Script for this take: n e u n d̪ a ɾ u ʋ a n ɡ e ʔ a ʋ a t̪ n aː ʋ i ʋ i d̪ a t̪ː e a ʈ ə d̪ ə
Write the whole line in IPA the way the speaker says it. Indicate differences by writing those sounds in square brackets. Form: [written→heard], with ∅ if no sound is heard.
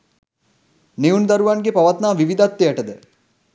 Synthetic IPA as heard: n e u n d̪ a ɾ u ʋ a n ɡ e [ʔ→p] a ʋ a t̪ n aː ʋ i ʋ i d̪ a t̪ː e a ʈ ə d̪ ə